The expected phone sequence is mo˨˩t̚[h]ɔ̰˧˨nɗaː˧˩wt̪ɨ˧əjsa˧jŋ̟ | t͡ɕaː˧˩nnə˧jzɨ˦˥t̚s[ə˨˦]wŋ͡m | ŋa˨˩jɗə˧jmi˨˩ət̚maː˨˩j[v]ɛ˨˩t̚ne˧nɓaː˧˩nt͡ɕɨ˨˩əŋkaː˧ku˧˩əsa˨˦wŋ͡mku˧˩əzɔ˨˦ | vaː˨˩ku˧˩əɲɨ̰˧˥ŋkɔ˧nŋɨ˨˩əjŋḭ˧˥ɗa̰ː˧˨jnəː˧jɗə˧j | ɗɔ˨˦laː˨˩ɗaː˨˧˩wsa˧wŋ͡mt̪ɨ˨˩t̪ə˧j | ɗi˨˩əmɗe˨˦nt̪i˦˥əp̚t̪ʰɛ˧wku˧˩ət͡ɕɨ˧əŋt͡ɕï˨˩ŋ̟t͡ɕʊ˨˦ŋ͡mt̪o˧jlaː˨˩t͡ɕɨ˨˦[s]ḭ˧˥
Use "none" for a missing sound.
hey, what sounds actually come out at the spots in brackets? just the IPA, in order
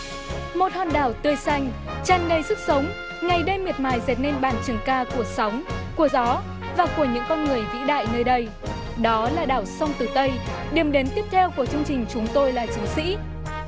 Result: h, ə˨˦, z, s

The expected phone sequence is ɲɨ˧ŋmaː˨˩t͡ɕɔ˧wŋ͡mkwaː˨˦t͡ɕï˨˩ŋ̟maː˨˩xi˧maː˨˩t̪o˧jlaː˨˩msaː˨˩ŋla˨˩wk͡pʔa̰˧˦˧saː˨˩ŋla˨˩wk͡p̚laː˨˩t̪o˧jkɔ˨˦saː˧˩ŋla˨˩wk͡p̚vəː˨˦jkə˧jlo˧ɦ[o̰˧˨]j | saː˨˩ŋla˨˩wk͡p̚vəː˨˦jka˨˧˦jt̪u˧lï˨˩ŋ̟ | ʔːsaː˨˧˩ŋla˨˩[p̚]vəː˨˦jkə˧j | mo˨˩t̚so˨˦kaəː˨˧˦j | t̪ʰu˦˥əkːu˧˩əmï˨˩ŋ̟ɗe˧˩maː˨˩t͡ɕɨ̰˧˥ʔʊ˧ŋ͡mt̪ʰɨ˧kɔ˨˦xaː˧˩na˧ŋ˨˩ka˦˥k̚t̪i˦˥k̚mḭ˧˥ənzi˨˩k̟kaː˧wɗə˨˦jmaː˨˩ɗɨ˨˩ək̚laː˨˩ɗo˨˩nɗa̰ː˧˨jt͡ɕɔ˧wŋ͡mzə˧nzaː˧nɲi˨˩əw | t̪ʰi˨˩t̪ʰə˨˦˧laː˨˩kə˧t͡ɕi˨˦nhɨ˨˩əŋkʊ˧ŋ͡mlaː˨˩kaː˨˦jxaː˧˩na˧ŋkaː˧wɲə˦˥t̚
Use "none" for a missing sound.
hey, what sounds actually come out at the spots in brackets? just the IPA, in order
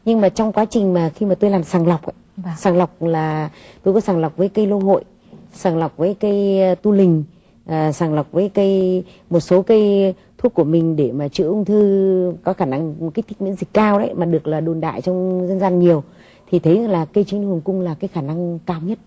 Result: o̰˧˨, k͡p̚

